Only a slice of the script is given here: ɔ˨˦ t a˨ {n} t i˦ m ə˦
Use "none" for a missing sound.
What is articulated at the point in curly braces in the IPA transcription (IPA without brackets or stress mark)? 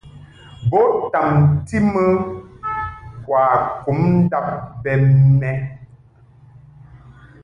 m